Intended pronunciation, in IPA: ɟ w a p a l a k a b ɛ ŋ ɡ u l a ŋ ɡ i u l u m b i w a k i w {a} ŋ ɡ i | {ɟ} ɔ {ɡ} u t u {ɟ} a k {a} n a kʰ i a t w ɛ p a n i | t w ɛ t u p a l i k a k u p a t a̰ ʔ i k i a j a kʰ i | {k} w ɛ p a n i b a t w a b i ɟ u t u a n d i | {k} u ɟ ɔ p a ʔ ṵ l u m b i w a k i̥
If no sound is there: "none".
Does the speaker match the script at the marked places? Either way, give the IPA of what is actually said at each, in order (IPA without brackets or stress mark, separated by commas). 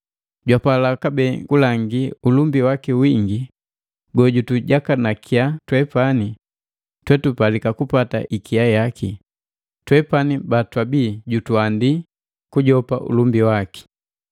i, ɡ, ɟ, ɟ, a, t, k